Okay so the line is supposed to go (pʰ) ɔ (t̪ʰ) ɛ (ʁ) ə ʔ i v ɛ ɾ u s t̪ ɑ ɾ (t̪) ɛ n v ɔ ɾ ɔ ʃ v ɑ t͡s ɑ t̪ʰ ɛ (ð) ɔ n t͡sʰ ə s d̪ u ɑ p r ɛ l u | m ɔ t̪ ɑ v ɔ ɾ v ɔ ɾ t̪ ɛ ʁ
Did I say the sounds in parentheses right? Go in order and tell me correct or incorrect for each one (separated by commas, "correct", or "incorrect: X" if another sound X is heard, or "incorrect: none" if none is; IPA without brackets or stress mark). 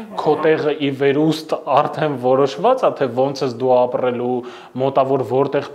incorrect: kʰ, incorrect: t̪, correct, incorrect: t̪ʰ, incorrect: v